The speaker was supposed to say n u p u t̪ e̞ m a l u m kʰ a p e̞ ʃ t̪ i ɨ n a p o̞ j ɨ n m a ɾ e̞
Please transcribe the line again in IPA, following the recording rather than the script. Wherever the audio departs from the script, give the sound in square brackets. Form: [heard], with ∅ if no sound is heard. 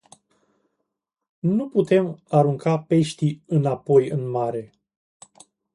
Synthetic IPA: n u p u t̪ e̞ m a [ɾ] u [ŋ] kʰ a p e̞ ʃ t̪ i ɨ n a p o̞ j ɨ n m a ɾ e̞